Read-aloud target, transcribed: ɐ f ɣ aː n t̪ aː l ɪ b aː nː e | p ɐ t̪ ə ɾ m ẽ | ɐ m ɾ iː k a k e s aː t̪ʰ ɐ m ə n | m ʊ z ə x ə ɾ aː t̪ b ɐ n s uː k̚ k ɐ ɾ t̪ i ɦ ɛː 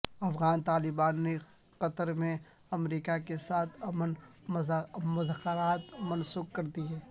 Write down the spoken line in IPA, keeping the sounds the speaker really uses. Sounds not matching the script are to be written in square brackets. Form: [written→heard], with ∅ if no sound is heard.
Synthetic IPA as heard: ɐ f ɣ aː n t̪ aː l ɪ b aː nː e | [p→q] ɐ t̪ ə ɾ m ẽ | ɐ m ɾ iː k a k e s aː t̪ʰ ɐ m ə n | m ʊ z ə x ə ɾ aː t̪ [b→m] ɐ n s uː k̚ k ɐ ɾ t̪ i ɦ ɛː